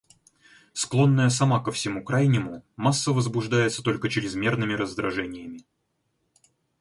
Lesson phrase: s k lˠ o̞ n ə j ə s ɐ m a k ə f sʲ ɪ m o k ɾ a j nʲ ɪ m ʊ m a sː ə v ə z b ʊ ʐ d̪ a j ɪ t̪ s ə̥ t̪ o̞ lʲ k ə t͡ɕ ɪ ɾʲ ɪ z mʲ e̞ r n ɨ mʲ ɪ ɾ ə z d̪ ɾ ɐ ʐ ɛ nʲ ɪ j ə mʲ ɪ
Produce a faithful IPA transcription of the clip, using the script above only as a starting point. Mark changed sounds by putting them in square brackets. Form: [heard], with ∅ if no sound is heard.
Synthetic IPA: s k lˠ o̞ [nː] ə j ə s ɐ m a k ə f sʲ ɪ m [u] k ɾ a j nʲ ɪ m ʊ m a sː ə v ə z b ʊ ʐ d̪ a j ɪ t̪ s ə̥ t̪ o̞ lʲ k ə t͡ɕ ɪ ɾʲ ɪ z mʲ e̞ r n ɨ mʲ ɪ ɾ ə z d̪ ɾ ɐ ʐ ɛ nʲ ɪ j ə mʲ ɪ